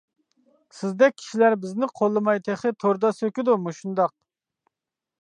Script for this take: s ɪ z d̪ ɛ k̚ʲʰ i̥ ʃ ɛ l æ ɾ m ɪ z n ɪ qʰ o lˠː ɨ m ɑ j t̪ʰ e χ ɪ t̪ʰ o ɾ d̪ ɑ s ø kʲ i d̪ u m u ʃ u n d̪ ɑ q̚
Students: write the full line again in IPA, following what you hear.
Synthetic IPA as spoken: s ɪ z d̪ ɛ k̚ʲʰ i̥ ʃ i l æ ɾ b ɪ z n ɪ qʰ o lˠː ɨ m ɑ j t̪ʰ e χ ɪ t̪ʰ o ɾ d̪ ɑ s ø kʲ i d̪ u m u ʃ u n d̪ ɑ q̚